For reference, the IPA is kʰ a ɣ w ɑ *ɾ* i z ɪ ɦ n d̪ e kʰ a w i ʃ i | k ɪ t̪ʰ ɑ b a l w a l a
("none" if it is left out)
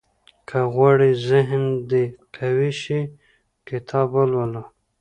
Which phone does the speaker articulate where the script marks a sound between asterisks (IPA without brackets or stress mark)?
ɽ